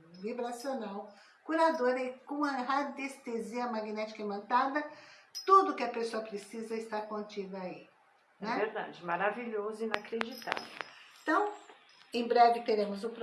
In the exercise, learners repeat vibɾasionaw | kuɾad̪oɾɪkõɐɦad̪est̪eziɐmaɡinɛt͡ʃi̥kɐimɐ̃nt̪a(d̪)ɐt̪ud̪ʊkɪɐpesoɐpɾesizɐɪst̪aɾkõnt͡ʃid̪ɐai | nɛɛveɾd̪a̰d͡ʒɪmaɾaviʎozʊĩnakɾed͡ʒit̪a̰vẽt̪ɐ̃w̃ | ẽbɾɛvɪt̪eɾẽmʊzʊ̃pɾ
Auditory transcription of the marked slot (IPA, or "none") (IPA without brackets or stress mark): d̪